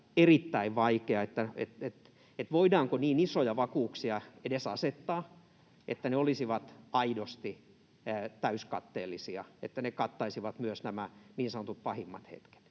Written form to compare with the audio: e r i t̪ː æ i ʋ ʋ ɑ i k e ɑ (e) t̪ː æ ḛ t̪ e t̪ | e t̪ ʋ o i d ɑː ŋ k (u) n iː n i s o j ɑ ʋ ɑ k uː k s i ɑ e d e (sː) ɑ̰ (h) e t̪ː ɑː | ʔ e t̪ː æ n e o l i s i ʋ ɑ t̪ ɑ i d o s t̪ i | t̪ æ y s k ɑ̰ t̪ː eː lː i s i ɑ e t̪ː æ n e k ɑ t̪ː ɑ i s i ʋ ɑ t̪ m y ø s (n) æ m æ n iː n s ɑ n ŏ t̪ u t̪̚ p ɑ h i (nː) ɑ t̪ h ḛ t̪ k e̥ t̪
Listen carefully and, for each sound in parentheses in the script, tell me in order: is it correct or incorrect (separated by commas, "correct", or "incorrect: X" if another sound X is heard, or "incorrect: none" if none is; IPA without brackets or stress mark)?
correct, incorrect: o, incorrect: s, incorrect: s, correct, incorrect: mː